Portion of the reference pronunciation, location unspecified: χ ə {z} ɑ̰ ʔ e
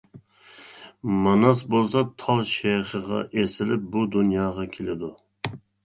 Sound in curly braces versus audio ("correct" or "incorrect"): incorrect